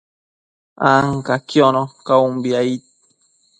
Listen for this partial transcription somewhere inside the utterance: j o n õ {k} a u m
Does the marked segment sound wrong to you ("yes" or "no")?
no